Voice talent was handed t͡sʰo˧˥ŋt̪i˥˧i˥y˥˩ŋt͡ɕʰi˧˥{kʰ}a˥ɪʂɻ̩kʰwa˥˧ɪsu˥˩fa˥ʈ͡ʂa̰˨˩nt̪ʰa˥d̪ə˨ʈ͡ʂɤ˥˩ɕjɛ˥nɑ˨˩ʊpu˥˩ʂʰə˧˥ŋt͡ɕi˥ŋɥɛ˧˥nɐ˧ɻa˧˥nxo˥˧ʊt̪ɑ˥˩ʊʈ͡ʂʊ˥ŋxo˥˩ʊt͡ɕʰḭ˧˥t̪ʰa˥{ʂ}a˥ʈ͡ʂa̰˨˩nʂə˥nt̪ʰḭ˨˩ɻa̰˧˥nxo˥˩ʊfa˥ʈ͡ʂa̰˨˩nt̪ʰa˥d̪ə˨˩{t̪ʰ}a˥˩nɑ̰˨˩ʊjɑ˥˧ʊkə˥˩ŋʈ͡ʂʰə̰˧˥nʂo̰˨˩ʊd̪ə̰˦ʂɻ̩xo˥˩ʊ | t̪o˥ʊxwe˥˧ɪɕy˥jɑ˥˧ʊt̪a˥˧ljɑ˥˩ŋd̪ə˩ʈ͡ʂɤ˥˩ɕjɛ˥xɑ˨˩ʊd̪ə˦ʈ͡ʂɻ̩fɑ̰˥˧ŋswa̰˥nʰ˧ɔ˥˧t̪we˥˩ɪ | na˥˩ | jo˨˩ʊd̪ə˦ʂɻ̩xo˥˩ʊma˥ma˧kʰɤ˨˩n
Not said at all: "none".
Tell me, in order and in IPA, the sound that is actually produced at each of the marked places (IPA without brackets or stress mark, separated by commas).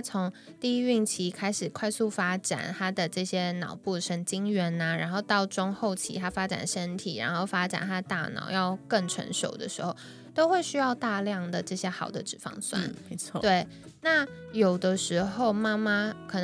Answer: kʰ, f, t̪